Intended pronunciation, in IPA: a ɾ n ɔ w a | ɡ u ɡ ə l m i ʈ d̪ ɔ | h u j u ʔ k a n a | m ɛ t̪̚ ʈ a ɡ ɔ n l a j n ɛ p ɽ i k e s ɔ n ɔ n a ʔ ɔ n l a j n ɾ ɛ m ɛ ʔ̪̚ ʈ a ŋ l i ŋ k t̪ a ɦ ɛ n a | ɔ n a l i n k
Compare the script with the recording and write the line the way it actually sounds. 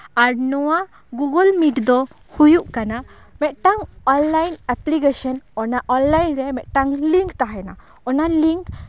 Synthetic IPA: a ɾ n ɔ w a | ɡ u ɡ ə l m i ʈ d̪ ɔ | h u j u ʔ k a n a | m ɛ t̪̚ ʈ a ŋ ɔ n l a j n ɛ p l i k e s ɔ n ɔ n a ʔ ɔ n l a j n ɾ ɛ m ɛ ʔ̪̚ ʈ a ŋ l i ŋ k t̪ a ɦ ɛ n a | ɔ n a l i ŋ k